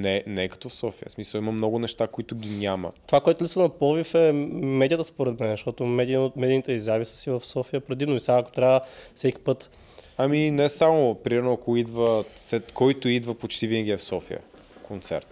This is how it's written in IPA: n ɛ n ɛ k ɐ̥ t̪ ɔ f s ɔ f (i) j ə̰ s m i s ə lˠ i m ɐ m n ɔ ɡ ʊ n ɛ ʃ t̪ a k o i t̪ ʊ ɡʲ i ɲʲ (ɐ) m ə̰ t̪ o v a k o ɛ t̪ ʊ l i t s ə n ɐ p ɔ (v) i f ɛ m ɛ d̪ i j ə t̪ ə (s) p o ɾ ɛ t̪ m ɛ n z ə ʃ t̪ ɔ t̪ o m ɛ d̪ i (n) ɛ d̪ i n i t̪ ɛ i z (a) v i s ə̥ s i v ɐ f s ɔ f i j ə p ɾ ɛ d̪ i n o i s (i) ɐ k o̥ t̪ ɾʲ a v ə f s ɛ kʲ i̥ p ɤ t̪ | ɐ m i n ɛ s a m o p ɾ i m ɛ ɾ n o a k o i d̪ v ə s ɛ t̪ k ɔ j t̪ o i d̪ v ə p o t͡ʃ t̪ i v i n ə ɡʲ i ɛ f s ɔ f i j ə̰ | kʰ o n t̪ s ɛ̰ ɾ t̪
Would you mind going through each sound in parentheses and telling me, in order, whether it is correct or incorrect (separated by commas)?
correct, incorrect, correct, correct, incorrect, correct, incorrect